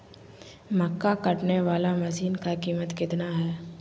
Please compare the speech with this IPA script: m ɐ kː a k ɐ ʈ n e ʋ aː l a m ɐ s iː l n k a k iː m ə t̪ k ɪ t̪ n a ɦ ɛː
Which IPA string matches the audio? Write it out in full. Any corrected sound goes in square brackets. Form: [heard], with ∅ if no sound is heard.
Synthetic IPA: m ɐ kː a k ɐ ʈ n e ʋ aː l a m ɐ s iː [∅] n k a k iː m ə t̪ k ɪ t̪ n a ɦ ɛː

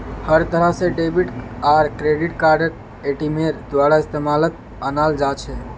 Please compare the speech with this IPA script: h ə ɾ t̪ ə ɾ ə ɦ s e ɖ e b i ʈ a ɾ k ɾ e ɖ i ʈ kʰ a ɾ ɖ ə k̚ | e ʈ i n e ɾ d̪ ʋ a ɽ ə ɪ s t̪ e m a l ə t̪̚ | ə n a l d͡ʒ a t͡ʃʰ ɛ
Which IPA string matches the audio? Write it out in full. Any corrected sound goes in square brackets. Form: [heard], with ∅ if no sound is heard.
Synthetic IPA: h ə ɾ t̪ ə ɾ ə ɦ s e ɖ e b i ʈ a ɾ k ɾ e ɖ i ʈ [k] a ɾ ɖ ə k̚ | e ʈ i [m] e ɾ d̪ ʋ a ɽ [a] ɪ s t̪ e m a l ə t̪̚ | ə n a l d͡ʒ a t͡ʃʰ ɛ

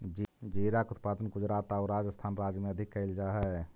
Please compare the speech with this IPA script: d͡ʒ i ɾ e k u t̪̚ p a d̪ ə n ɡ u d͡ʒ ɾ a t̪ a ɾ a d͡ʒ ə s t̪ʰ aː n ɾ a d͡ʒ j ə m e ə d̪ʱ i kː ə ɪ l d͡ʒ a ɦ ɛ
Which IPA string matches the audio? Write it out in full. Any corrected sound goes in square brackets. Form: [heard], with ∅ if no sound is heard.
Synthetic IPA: d͡ʒ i ɾ [a] k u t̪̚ p a d̪ ə n ɡ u d͡ʒ ɾ a t̪ a ɾ a d͡ʒ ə s t̪ʰ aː n ɾ a d͡ʒ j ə m e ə d̪ʱ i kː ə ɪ l d͡ʒ a ɦ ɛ

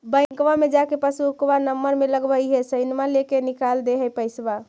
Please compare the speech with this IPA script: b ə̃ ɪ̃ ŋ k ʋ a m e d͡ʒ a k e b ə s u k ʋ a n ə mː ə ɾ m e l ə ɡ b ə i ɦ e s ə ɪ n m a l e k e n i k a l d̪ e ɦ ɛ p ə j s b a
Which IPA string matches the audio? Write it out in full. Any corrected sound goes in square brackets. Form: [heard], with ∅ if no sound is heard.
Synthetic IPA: b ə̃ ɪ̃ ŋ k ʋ a m e d͡ʒ a k e [p] ə s u k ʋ a n ə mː ə ɾ m e l ə ɡ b ə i ɦ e s ə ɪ n m a l e k e n i k a l d̪ e ɦ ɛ p ə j s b a

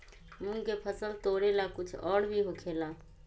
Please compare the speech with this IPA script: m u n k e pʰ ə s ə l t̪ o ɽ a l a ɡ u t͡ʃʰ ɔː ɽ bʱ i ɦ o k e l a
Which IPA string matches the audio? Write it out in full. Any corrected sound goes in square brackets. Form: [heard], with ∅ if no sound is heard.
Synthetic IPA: m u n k e pʰ ə s ə l t̪ o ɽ [e] l a [k] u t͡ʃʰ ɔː ɽ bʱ i ɦ o [kʰ] e l a

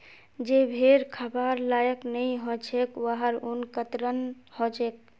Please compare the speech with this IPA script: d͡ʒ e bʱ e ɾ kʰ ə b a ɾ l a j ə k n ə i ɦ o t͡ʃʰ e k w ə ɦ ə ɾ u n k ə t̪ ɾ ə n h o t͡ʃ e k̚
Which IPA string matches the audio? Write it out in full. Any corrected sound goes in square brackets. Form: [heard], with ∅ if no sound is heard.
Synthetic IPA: d͡ʒ e bʱ e ɾ kʰ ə b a ɾ l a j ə k n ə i ɦ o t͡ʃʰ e k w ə ɦ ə ɾ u n k ə t̪ ɾ ə n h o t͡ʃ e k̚

